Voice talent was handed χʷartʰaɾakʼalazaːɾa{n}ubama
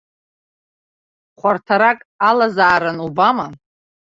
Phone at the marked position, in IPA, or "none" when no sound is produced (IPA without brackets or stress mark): n